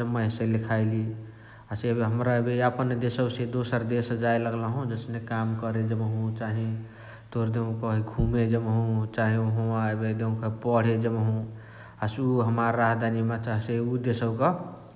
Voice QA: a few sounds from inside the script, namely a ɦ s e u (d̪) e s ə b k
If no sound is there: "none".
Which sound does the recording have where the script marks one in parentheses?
d̪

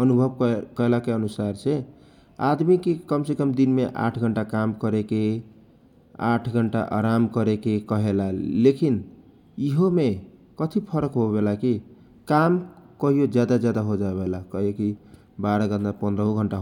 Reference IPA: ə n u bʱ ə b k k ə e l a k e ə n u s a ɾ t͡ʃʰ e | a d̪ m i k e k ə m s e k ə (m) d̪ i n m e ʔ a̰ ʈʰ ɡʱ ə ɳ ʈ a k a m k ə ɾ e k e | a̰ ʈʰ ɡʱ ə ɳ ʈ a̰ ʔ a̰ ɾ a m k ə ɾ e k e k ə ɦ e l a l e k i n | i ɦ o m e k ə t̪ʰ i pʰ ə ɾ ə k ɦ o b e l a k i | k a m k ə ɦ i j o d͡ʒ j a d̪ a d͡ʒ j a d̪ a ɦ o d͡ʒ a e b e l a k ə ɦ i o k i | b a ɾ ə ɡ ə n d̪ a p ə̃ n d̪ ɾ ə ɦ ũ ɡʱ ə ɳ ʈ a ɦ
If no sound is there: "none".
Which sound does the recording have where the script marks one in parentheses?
m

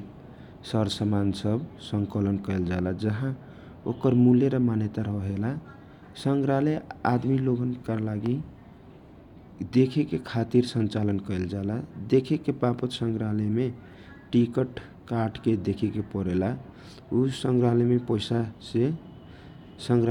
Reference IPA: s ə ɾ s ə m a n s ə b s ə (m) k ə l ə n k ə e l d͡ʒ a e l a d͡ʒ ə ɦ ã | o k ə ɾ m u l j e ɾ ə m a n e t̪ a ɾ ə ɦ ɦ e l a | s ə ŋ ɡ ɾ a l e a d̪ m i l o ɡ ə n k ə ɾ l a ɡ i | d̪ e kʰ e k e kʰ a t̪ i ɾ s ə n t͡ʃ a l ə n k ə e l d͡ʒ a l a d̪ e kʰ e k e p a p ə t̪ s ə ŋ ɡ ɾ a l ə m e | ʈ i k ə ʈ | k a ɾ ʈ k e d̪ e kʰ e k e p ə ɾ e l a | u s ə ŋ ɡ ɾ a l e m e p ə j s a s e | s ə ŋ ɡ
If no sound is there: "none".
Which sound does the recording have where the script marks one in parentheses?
ŋ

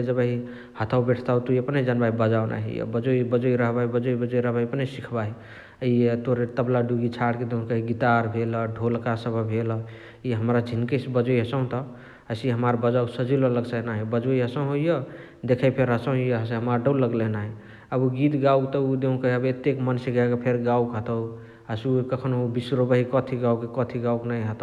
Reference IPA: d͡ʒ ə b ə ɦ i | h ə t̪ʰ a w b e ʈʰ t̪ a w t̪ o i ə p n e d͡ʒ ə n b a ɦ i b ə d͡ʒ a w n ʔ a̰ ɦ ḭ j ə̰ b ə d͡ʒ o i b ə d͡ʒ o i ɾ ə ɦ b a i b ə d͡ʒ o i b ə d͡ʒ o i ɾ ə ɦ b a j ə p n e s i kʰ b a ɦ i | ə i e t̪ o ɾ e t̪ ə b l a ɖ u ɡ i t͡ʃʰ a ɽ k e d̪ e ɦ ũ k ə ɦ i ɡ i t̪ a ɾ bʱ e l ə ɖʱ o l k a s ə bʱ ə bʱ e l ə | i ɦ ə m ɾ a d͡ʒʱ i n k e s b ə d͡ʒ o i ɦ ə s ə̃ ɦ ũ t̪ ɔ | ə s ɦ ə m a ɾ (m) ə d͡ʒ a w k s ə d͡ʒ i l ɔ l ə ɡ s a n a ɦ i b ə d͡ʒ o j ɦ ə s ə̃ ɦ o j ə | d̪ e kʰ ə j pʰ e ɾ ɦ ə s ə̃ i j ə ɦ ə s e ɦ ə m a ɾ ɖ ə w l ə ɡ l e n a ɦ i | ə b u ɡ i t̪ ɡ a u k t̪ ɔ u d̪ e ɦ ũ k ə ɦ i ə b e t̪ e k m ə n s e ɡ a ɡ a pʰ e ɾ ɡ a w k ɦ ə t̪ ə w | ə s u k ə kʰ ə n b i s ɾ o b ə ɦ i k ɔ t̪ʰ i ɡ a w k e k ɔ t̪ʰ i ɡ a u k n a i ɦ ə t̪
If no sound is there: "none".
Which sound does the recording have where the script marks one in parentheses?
b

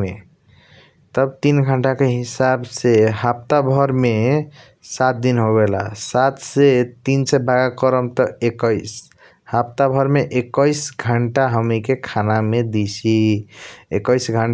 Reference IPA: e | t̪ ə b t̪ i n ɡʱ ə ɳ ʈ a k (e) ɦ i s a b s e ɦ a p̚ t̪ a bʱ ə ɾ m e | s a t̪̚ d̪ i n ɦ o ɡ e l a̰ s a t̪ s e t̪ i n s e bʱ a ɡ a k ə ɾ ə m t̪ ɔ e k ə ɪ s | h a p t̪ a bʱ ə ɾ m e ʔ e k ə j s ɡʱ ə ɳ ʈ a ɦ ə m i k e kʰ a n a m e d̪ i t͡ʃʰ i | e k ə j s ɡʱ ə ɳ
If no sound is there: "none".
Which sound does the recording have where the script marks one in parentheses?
e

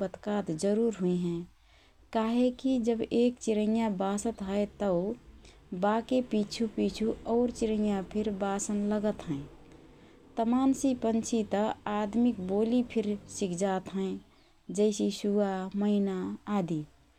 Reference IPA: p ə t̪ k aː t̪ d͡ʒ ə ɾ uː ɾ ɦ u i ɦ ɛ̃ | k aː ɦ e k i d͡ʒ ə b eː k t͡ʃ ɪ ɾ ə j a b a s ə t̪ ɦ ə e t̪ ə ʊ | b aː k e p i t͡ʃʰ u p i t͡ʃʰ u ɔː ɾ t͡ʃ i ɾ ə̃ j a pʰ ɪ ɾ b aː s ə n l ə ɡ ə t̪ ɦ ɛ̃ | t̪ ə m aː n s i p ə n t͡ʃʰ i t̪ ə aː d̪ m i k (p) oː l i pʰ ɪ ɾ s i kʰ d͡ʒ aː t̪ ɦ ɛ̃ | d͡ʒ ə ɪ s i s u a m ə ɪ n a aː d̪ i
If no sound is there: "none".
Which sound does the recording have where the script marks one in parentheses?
b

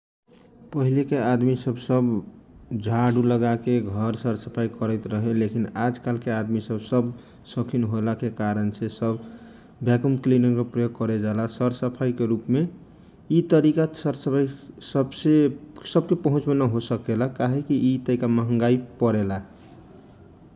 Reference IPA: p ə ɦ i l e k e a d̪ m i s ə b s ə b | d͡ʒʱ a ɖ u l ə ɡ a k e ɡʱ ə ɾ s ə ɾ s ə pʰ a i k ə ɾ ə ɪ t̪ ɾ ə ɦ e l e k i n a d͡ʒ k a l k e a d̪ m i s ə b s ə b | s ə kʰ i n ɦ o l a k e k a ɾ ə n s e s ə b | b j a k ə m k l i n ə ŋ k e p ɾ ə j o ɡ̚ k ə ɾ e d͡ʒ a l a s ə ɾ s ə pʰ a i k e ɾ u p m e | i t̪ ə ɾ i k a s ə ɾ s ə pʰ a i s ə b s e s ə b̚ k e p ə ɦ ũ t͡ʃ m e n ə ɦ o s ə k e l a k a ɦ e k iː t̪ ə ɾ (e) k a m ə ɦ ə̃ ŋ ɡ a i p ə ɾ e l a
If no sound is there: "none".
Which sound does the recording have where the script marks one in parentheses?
i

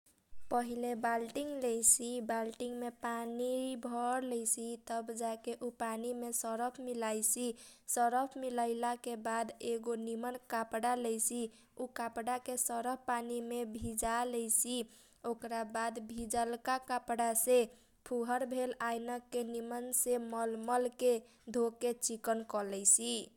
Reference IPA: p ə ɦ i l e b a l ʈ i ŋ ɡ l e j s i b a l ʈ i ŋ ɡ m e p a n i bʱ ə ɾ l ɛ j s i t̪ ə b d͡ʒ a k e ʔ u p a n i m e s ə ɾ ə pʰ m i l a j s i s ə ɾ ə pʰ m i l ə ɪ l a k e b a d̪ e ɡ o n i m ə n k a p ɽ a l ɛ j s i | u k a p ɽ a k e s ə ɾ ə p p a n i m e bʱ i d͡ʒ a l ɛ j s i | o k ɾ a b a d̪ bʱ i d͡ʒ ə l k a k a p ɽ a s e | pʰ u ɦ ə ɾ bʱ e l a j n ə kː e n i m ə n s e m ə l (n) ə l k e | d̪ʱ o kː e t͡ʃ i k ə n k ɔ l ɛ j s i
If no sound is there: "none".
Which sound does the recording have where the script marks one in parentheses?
m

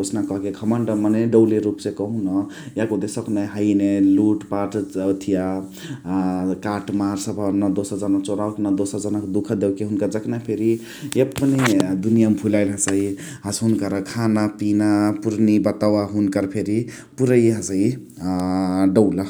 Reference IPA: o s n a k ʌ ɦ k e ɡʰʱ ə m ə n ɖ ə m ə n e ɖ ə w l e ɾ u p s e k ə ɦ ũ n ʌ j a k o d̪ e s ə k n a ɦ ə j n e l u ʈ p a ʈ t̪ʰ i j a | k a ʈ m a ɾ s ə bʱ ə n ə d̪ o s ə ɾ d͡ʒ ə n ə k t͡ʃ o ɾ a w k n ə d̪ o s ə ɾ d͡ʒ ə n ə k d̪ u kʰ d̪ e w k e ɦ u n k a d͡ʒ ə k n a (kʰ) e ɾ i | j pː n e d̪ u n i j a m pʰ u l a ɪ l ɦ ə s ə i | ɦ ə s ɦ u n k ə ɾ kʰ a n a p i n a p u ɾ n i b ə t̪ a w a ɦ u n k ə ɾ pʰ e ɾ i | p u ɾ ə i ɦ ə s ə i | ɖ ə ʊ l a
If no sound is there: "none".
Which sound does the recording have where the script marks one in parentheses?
pʰ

